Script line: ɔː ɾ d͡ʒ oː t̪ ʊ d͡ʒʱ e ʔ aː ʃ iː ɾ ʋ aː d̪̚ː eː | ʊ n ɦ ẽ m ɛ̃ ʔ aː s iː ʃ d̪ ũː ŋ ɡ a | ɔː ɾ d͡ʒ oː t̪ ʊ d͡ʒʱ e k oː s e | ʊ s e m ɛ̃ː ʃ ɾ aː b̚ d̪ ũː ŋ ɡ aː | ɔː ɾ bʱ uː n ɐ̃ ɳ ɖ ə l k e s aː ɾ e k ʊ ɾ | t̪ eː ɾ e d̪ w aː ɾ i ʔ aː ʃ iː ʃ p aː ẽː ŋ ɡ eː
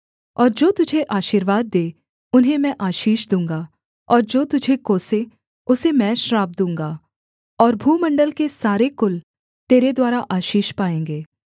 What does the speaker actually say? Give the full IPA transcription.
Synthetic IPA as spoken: ɔː ɾ d͡ʒ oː t̪ ʊ d͡ʒʱ e ʔ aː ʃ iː ɾ ʋ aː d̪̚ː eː | ʊ n ɦ ẽ m ɛ̃ ʔ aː ʃ iː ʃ d̪ ũː ŋ ɡ a | ɔː ɾ d͡ʒ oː t̪ ʊ d͡ʒʱ e k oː s e | ʊ s e m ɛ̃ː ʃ ɾ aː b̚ d̪ ũː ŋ ɡ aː | ɔː ɾ bʱ uː m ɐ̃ ɳ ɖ ə l k e s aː ɾ e k ʊ l | t̪ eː ɾ e d̪ w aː ɾ a ʔ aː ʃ iː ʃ p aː ẽː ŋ ɡ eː